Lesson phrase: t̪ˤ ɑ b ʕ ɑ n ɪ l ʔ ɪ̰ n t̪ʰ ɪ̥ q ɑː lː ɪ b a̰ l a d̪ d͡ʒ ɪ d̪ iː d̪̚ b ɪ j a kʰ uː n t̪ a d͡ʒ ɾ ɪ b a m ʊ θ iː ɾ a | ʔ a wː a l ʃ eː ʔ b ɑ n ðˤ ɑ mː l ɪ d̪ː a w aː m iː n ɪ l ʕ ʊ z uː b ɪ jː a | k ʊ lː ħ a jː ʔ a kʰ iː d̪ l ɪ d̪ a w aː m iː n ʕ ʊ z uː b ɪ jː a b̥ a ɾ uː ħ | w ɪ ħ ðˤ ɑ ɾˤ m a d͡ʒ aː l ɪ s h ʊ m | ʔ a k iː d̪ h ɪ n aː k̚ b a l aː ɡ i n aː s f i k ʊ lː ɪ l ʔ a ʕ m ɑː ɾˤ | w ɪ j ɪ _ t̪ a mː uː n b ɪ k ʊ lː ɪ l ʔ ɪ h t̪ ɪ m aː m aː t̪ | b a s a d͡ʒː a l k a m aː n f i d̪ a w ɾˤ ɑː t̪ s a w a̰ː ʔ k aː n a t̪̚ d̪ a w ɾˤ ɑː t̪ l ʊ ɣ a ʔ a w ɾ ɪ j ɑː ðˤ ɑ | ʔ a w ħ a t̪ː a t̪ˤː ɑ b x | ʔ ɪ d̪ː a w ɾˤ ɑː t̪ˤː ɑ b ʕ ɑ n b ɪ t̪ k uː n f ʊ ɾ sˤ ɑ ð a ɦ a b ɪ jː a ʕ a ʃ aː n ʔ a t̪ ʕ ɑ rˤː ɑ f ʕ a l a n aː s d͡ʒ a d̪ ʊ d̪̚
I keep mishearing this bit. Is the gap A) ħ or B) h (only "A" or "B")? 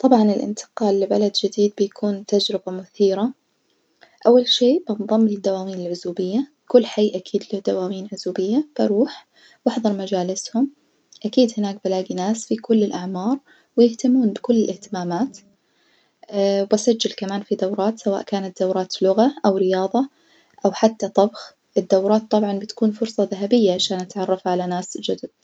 B